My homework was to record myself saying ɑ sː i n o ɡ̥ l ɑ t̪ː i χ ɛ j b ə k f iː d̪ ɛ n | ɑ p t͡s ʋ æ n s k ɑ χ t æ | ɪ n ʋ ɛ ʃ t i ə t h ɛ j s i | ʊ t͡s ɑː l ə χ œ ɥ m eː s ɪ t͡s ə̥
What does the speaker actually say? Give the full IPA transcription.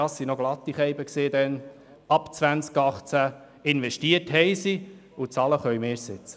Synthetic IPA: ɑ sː i n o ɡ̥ l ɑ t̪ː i χ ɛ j b ə k s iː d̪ ɛ n | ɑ p t͡s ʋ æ n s k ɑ χ t͡s æ | ɪ n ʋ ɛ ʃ t i ə t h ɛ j s i | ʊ t͡s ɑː l ə χ œ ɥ m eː s ɪ t͡s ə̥

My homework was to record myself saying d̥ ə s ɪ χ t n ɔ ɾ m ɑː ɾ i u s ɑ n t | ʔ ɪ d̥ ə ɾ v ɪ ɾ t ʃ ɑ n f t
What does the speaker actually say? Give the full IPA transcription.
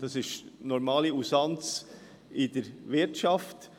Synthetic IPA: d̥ ɑ s ɪ ʃ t n ɔ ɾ m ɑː l i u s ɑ n t͡s | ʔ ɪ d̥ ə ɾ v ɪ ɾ t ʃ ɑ f t

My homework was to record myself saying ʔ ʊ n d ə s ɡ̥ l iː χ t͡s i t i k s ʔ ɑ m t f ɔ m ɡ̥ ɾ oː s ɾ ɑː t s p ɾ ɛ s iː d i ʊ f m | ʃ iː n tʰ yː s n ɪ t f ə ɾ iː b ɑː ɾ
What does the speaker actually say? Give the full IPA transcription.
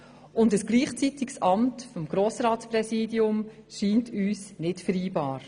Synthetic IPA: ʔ ʊ n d ə s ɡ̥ l iː χ t͡s i t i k s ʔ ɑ m t f ɔ m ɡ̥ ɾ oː s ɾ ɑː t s p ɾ ɛ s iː d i ʊ m | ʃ iː n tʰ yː s n ɪ t f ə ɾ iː b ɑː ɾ

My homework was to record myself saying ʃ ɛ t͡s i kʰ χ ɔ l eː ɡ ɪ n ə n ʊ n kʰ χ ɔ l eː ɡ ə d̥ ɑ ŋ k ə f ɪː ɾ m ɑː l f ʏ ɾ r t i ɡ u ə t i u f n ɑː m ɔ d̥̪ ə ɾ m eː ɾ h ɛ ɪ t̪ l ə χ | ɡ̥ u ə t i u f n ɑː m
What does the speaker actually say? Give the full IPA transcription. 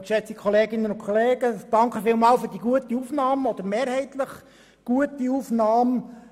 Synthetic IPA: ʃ ɛ t͡s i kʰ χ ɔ l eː ɡ ɪ n ə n ʊ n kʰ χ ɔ l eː ɡ ə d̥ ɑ ŋ k ə f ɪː l m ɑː l f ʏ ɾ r d i ɡ u ə t i u f n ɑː m ɔ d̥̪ ə ɾ m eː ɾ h ɛ ɪ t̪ l ə χ | ɡ̥ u ə t i u f n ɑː m

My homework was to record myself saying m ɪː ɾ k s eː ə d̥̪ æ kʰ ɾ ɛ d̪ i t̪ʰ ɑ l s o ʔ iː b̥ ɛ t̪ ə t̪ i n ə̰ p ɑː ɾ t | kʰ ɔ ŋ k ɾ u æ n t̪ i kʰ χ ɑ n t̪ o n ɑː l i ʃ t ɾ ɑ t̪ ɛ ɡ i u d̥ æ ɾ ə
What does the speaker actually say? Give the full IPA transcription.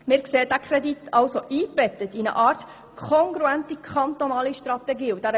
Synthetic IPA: m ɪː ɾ k s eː ə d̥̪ æ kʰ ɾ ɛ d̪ i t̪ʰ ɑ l s o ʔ iː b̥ ɛ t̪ ə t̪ i n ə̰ ʔ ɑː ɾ t | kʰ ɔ ŋ ɡ ɾ u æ n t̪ i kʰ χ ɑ n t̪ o n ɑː l i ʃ t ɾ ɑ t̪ ɛ ɡ iː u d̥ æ ɾ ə

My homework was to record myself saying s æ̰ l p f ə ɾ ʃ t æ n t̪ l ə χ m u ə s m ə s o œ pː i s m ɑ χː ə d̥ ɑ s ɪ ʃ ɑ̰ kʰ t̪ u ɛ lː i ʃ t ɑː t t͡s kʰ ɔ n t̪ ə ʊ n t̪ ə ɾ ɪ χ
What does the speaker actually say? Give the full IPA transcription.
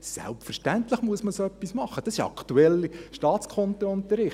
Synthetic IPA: s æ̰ l p f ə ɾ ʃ t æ n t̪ l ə χ m u ə s m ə s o œ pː i s m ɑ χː ə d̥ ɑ s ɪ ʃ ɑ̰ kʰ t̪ u ɛ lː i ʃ t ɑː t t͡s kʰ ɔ n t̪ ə ʊ n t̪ ə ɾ ɪ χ

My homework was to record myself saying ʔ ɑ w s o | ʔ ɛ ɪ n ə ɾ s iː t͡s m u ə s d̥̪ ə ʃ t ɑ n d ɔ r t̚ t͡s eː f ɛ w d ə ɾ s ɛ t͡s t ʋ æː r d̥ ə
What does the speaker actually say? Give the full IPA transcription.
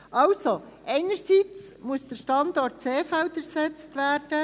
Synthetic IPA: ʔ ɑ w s o | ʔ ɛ ɪ n ə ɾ s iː t͡s m u ə s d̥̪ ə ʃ t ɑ n d ɔ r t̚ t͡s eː f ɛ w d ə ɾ s ɛ t͡s t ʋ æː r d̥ ə

